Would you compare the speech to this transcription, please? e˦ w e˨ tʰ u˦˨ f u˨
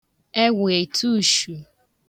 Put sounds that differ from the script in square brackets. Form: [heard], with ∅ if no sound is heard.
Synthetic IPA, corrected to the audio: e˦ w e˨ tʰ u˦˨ [ʃ] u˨